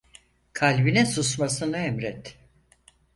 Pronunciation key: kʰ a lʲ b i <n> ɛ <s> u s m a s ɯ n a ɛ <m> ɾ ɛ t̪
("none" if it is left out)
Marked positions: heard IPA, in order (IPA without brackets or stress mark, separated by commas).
n, s, m